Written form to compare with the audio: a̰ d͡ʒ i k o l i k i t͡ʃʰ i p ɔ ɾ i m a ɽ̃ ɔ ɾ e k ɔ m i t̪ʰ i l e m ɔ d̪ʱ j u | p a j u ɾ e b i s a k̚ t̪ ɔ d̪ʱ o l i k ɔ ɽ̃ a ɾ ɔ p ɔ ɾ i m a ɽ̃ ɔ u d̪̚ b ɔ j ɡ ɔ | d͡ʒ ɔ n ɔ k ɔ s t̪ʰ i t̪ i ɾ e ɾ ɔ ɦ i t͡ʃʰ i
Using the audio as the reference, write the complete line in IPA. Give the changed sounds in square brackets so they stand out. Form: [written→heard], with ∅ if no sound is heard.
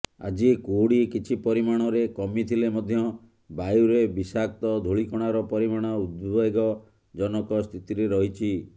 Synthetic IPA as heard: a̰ d͡ʒ i k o [l→ɽ] i k i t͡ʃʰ i p ɔ ɾ i m a ɽ̃ ɔ ɾ e k ɔ m i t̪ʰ i l e m ɔ d̪ʱ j [u→ɔ] | [p→b] a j u ɾ e b i s a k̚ t̪ ɔ d̪ʱ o [l→ɭ] i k ɔ ɽ̃ a ɾ ɔ p ɔ ɾ i m a ɽ̃ ɔ u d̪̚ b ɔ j ɡ ɔ | d͡ʒ ɔ n ɔ k ɔ s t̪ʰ i t̪ i ɾ e ɾ ɔ ɦ i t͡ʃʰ i